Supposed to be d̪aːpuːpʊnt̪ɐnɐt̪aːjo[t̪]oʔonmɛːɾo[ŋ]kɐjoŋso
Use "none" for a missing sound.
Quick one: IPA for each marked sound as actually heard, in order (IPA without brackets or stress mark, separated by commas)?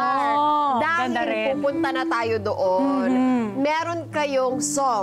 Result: d̪, n